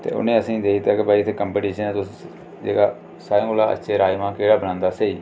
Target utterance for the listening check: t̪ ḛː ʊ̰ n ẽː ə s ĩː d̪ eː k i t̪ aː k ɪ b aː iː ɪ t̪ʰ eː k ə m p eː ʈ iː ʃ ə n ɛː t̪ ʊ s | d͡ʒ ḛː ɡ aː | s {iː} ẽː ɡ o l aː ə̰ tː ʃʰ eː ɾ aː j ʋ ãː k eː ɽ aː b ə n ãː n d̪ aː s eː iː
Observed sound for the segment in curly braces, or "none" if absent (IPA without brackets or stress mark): aː